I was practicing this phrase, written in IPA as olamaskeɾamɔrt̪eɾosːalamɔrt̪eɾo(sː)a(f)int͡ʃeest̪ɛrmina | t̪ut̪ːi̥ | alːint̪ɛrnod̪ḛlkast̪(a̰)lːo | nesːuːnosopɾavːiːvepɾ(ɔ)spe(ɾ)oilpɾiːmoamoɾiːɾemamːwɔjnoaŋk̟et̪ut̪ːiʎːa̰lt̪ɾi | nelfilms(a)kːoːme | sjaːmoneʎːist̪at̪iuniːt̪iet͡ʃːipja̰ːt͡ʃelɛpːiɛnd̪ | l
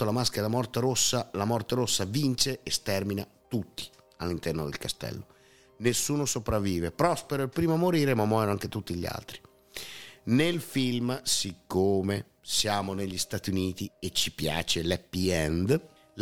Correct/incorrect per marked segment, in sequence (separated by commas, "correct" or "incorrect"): correct, incorrect, incorrect, correct, correct, incorrect